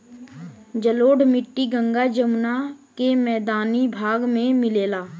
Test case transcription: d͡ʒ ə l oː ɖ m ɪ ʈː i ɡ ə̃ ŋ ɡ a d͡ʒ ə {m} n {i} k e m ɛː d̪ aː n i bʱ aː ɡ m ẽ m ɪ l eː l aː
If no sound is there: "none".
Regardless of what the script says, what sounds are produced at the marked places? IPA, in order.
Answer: m, a

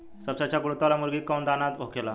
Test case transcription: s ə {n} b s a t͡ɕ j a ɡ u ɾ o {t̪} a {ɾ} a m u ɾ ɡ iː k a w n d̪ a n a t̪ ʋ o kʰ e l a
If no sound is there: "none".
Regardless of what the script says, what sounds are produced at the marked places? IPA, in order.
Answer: none, t̪, l

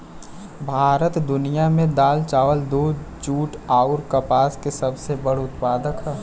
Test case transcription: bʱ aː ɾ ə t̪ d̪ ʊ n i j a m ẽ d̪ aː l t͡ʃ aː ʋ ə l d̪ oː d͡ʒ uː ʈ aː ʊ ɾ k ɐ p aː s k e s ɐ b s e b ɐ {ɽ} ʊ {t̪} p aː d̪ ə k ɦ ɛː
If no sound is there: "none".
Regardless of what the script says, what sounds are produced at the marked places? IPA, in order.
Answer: ɽ, t̪

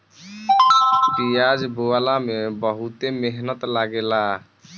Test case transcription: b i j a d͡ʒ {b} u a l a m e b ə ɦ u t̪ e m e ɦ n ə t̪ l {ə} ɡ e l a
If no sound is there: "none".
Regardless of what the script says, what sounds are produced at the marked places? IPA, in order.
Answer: b, a

